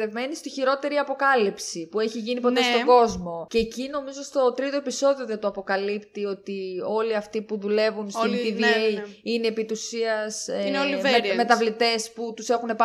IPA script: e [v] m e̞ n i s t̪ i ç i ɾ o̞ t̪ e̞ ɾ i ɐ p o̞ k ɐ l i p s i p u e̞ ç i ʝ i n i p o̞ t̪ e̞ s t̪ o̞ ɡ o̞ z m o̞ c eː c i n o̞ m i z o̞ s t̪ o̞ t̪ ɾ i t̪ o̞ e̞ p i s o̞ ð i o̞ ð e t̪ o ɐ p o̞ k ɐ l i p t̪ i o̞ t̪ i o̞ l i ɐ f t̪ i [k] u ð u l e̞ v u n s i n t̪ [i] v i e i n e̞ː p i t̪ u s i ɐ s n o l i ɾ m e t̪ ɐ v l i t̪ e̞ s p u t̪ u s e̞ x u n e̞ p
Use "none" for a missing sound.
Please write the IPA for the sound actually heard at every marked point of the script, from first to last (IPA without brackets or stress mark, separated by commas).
v, p, i